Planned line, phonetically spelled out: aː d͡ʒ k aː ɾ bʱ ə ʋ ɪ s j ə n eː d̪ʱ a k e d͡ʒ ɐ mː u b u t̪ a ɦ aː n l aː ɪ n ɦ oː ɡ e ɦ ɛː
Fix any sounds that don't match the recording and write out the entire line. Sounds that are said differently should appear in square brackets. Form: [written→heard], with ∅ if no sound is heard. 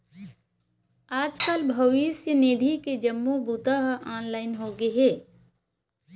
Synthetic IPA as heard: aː d͡ʒ k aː [ɾ→l] bʱ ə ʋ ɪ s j ə n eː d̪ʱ [a→i] k e d͡ʒ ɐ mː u b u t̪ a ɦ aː n l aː ɪ n ɦ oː ɡ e ɦ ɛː